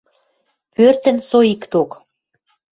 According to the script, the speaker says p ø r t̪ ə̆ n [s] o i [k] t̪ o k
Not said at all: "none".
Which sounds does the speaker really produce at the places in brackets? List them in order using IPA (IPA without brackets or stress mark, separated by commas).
s, k